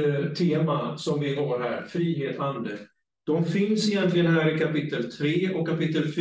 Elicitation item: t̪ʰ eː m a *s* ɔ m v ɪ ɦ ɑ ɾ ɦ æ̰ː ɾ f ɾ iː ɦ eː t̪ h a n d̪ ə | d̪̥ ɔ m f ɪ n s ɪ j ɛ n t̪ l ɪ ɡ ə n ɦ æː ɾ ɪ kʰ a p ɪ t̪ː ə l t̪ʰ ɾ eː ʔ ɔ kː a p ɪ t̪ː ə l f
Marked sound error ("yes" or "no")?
no